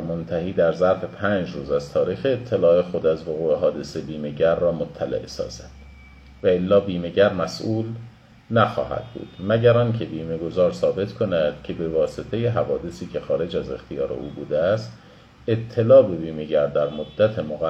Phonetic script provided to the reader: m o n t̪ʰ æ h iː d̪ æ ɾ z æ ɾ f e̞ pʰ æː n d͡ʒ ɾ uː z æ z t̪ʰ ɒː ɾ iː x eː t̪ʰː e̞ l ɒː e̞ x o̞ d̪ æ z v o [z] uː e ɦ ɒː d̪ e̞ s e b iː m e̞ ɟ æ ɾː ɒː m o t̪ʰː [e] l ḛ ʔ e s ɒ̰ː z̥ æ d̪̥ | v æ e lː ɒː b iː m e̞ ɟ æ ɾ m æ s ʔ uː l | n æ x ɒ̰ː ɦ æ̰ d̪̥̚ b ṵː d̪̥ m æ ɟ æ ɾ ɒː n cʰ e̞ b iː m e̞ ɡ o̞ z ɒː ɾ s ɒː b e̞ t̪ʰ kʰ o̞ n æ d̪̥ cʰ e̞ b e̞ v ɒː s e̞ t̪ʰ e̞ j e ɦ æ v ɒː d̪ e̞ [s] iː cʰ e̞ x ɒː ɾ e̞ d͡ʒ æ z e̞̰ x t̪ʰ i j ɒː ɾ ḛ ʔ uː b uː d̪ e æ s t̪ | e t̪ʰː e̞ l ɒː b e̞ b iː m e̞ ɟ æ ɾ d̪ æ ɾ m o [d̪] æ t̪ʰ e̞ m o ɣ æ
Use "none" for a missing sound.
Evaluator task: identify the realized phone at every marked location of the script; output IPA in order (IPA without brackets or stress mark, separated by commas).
ɣ, æ, s, d̪ː